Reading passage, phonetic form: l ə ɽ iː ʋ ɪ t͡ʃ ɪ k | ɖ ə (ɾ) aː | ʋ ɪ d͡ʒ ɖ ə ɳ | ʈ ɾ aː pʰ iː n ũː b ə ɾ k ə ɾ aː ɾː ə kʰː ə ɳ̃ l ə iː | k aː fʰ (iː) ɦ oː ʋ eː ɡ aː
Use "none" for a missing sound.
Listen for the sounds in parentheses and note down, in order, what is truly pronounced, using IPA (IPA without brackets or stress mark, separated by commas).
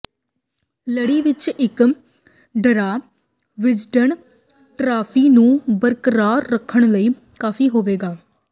ɾ, iː